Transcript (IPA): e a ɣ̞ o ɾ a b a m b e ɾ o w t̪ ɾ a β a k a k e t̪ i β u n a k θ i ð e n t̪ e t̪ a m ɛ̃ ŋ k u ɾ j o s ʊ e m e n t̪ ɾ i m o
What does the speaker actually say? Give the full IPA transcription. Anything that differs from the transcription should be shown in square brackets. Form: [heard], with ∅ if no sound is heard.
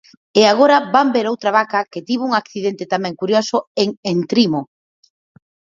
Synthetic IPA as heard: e a ɣ̞ o ɾ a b a m b e ɾ o w t̪ ɾ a β a k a k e t̪ i β u [ŋ] a k θ i ð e n t̪ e t̪ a m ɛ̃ ŋ k u ɾ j o s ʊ e [ŋ] e n t̪ ɾ i m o

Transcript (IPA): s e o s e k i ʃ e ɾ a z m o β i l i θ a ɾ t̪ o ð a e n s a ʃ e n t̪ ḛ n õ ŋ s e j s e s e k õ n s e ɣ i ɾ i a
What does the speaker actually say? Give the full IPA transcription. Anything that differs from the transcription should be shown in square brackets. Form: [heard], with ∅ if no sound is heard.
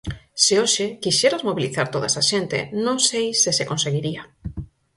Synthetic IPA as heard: s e o [ʃ] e k i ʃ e ɾ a z m o β i l i θ a ɾ t̪ o ð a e [∅] s a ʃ e n t̪ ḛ n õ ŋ s e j s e s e k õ n s e ɣ i ɾ i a

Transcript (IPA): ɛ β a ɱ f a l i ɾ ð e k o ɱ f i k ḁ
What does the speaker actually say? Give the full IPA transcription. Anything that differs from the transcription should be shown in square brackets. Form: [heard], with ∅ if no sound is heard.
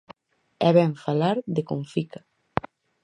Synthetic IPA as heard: ɛ β [ɛ] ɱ f a l [a] ɾ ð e k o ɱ f i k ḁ

